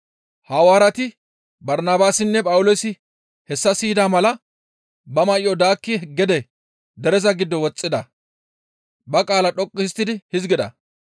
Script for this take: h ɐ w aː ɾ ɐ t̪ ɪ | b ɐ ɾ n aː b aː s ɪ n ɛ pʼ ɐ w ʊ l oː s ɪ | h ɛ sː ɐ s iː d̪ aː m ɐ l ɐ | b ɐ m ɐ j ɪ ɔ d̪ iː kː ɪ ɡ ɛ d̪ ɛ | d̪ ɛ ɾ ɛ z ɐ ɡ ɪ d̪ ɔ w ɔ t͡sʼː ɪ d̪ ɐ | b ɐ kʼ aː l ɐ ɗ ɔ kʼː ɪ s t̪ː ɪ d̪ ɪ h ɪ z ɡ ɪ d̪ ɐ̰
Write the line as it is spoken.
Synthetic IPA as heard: h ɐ w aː ɾ ɐ t̪ ɪ | b ɐ ɾ n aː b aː s ɪ nː ɛ pʼ ɐ w ʊ l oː s ɪ | h ɛ sː ɐ s iː d̪ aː m ɐ l ɐ | b ɐ m ɐ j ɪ ɔ d̪ aː kː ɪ ɡ ɛ d̪ ɛ | d̪ ɛ ɾ ɛ z ɐ ɡ ɪ d̪ː ɔ w ɔ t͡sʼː ɪ d̪ ɐ | b ɐ kʼ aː l ɐ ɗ ɔ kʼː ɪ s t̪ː ɪ d̪ ɪ h ɪ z ɡ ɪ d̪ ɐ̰